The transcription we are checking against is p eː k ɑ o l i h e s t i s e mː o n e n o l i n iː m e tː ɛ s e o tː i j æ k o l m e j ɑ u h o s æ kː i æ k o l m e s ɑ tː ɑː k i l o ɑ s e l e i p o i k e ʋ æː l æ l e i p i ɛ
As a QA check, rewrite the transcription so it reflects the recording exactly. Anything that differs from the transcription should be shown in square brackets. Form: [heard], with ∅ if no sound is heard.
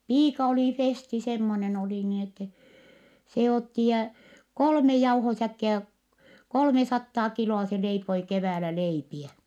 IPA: p [iː] k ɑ o l i [f] e s t i s e mː o n e n o l i n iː [n] e tː ɛ s e o tː i j æ k o l m e j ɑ u h o s æ kː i æ k o l m e s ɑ tː ɑː k i l o ɑ s e l e i p o i k e ʋ æː l æ l e i p i ɛ

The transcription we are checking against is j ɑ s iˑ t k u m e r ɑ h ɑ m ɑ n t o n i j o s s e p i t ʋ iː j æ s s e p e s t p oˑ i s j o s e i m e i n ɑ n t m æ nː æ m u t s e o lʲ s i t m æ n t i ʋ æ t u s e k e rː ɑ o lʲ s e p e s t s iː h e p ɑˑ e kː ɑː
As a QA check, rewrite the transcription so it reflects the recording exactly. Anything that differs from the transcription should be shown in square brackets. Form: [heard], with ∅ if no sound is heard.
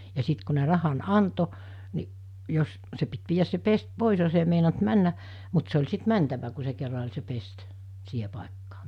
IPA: j ɑ s iˑ t k u [n] e r ɑ h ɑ [n] ɑ n t o n i j o s s e p i t ʋ iː j æ s s e p e s t p oˑ i s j o s e i m e i n ɑ n t m æ nː æ m u t s e o lʲ s i t m æ n t [æ] ʋ æ [k] u s e k e rː ɑ o lʲ s e p e s t s iː h e p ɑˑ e kː ɑː

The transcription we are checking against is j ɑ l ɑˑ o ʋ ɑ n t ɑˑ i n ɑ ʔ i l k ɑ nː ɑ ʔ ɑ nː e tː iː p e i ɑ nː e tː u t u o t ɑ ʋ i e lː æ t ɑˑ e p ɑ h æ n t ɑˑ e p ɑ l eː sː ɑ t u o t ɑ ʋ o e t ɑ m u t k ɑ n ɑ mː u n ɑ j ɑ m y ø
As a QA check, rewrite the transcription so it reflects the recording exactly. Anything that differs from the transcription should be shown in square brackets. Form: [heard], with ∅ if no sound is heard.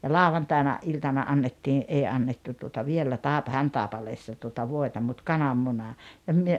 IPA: j ɑ l ɑˑ o ʋ ɑ n t ɑˑ i n ɑ ʔ i l [t] ɑ [n] ɑ ʔ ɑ nː e tː iː [ʔ] e i ɑ nː e tː u t u o t ɑ ʋ i e lː æ t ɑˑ e p ɑ h æ n t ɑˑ e p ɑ l eː sː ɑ t u o t ɑ ʋ o e t ɑ m u t k ɑ n ɑ mː u n ɑ j ɑ m y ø

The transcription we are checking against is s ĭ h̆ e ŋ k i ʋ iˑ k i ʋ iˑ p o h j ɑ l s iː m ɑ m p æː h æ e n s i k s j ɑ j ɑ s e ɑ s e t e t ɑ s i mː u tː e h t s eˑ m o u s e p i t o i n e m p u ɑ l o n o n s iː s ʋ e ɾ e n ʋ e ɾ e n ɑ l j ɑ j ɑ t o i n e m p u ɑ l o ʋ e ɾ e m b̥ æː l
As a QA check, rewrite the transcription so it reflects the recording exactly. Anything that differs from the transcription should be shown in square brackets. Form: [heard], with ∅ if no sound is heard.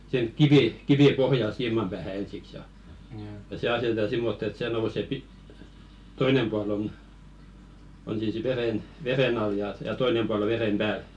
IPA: s ĭ h̆ e ŋ k i ʋ iˑ k i ʋ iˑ p o h j ɑ l s iː m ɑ m p æː h æ e n s i k s j ɑ j ɑ s e ɑ s e t e t ɑ s i mː [o] tː e [∅] t s eˑ [n] o u s e p i t o i n e m p u ɑ l o n o n s iː s ʋ e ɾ e n ʋ e ɾ e n ɑ l j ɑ j ɑ t o i n e m p u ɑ l o ʋ e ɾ e m b̥ æː l

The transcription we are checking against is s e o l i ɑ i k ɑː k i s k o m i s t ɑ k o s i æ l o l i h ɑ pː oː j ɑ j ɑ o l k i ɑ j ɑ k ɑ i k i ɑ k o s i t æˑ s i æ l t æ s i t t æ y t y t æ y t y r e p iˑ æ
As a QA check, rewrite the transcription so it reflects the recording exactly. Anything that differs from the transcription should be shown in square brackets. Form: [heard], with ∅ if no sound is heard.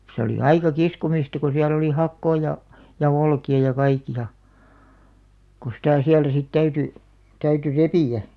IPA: s e o l i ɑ i k [ɑ] k i s k o m i s t ɑ k o s i æ l o l i h ɑ [kː] oː j ɑ j ɑ o l k i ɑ j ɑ k ɑ i k i ɑ k o s i t æˑ s i æ l t æ s i t t æ y t y t æ y t y r e p iˑ æ

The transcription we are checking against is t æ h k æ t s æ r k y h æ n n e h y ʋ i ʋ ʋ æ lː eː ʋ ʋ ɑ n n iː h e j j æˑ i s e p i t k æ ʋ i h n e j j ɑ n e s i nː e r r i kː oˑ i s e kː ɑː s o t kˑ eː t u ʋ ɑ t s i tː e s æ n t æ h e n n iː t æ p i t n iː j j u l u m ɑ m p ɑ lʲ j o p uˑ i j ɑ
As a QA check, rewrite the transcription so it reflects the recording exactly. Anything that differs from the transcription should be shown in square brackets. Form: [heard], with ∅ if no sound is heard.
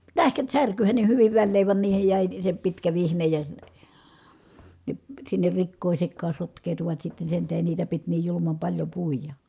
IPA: t æ h k æ t s æ r k y h æ n n e h y ʋ i ʋ ʋ æ lː eː ʋ ʋ ɑ n n iː h e j j æˑ i s e p i t k æ ʋ i h n e j j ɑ n e s i nː e r r i kː oˑ i s e kː ɑː s o t kˑ eː t u ʋ ɑ t s i tː e s [e] n t æ h e n n iː t æ p i t n iː j j u l u m ɑ m p ɑ lʲ j o p uˑ i j ɑ

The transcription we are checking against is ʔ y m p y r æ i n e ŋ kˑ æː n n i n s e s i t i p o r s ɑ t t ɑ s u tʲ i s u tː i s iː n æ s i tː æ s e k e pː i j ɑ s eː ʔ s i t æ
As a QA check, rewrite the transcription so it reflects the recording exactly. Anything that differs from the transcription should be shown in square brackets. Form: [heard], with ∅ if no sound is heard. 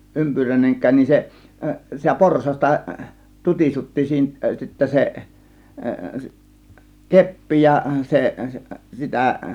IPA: ʔ y m p y r æ i n e ŋ kˑ æː n n i n s e s i t [æ] p o r s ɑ [s] t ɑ [t] u tʲ i s u tː i s iː n æ s i tː æ s e k e pː i j ɑ s [e] ʔ s i t æ

